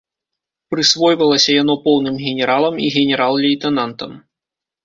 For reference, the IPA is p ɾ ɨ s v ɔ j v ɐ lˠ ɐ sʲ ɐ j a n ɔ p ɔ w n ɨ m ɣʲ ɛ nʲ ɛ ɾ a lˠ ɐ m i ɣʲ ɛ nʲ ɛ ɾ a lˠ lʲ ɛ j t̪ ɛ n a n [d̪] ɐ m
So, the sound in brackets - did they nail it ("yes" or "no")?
no